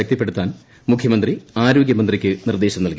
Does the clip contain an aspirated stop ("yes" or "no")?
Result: yes